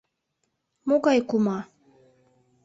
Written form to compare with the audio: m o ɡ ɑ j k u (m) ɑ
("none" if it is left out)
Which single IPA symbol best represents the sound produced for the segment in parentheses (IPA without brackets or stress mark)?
m